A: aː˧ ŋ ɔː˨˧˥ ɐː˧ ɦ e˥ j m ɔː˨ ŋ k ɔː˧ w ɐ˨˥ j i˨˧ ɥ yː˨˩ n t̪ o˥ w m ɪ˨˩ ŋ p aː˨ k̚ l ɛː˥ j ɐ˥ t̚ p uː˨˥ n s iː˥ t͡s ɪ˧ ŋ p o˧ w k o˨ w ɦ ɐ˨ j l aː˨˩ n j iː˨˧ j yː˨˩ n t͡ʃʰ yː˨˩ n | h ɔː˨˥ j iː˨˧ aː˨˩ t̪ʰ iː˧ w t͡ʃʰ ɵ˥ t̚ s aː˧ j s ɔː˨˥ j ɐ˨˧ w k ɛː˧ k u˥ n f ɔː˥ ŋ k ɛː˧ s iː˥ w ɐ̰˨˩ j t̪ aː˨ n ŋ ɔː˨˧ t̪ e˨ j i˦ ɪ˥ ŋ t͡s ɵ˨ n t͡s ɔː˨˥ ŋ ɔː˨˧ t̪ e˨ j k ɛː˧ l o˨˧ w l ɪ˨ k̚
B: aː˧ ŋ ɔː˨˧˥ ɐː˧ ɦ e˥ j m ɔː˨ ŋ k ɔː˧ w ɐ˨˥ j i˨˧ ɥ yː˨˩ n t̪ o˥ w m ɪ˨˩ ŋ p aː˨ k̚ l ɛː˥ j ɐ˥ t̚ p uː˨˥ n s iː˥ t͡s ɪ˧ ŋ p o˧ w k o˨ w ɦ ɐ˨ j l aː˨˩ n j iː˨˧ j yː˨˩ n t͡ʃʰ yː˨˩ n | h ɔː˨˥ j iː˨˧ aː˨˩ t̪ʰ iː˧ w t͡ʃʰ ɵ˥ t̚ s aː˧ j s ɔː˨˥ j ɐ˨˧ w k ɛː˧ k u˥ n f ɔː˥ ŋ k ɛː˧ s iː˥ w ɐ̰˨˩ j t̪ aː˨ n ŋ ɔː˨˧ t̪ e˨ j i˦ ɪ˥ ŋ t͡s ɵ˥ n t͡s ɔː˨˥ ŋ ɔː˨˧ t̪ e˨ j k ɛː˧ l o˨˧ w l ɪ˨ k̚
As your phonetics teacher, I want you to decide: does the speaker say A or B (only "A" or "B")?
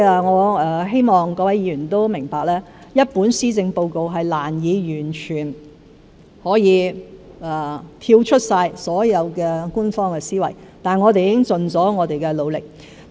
A